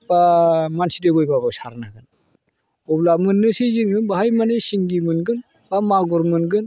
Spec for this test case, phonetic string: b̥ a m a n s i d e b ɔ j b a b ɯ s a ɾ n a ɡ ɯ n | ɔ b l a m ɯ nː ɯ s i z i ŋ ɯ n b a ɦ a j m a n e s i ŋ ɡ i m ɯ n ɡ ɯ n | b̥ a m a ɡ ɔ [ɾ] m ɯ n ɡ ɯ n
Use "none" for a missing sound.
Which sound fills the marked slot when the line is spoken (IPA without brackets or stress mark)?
ɾ